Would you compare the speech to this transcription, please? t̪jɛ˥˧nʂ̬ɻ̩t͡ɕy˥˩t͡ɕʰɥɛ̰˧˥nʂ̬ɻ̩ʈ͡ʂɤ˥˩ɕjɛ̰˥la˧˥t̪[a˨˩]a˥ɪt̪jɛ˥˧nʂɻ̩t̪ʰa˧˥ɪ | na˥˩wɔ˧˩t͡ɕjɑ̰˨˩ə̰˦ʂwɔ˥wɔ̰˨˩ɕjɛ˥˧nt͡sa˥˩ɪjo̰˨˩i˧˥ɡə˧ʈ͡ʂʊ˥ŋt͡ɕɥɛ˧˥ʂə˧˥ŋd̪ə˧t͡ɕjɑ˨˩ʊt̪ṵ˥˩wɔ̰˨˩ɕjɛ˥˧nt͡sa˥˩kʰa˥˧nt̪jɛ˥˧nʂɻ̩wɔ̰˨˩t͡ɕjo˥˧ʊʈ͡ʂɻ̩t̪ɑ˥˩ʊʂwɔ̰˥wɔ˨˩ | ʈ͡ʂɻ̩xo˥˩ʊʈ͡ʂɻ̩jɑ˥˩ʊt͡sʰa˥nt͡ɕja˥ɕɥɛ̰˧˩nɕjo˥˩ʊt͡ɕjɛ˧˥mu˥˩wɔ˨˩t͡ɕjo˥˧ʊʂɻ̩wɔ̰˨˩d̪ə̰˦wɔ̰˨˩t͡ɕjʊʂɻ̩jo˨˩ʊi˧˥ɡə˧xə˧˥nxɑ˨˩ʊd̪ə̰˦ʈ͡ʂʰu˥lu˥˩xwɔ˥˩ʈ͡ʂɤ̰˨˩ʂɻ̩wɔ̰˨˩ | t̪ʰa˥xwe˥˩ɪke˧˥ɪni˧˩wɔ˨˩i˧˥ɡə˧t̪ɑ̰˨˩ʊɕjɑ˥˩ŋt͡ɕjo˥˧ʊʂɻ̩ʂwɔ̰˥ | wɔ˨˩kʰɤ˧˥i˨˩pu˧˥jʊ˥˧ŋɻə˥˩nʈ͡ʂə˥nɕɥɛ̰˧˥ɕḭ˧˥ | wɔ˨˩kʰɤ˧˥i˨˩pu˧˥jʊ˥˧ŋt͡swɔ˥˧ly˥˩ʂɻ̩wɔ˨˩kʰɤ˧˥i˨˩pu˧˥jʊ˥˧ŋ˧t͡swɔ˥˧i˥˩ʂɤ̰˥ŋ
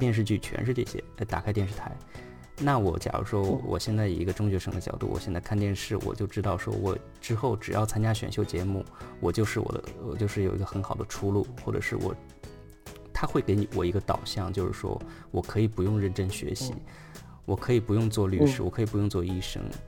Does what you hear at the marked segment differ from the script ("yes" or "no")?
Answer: no